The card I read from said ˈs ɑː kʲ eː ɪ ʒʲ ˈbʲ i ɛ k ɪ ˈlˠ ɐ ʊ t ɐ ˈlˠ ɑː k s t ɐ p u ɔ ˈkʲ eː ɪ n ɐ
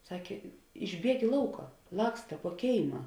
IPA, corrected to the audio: ˈs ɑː kʲ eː ɪ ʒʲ ˈbʲ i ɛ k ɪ ˈlˠ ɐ ʊ k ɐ ˈlˠ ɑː k s t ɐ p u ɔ ˈkʲ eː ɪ m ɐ